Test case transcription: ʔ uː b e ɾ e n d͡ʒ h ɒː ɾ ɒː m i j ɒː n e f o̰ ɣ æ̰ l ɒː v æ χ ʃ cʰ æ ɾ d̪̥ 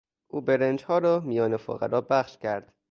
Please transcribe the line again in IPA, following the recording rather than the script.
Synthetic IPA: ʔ uː b e ɾ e n d͡ʒ h ɒː ɾ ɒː m i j ɒː n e f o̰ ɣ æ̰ ɾ ɒː b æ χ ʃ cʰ æ ɾ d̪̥